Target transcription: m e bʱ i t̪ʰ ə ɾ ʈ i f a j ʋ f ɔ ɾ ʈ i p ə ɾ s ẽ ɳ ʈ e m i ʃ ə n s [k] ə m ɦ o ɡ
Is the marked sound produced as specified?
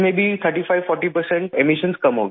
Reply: yes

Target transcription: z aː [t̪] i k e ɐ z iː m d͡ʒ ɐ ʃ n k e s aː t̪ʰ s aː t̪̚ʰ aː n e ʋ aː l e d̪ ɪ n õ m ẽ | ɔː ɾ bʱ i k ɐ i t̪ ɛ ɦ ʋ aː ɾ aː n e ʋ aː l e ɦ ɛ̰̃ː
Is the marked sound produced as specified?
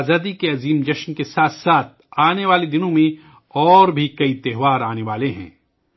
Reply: no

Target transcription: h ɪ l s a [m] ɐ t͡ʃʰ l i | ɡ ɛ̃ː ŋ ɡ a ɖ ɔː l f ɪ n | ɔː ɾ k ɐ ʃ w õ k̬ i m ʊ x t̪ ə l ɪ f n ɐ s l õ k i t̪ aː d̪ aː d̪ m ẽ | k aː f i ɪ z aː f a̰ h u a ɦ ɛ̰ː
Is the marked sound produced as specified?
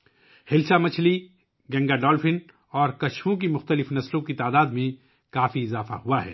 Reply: yes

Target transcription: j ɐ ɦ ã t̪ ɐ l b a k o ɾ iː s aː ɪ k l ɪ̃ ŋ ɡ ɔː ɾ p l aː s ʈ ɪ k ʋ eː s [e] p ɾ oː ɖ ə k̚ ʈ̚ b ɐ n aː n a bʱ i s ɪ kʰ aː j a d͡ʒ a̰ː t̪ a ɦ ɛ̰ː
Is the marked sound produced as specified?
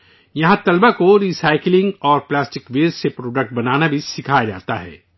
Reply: yes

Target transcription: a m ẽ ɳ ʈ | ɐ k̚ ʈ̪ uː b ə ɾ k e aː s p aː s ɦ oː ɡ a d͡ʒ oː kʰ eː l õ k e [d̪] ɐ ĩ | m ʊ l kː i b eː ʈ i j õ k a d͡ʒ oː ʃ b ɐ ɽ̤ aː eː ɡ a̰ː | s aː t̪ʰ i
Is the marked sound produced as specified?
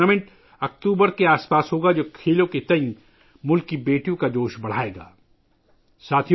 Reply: no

